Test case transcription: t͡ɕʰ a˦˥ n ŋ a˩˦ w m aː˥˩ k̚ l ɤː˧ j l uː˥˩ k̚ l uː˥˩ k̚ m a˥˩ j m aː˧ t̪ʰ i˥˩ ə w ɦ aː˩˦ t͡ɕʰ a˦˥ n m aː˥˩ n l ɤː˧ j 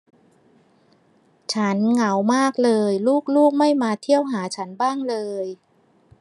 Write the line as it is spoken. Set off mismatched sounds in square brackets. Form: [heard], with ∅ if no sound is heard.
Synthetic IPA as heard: t͡ɕʰ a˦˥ n ŋ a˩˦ w m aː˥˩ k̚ l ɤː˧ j l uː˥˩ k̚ l uː˥˩ k̚ m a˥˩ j m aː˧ t̪ʰ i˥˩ ə w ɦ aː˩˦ t͡ɕʰ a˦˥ n [b] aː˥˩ [ŋ] l ɤː˧ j